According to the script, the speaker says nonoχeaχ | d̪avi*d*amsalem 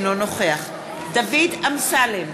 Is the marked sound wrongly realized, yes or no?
no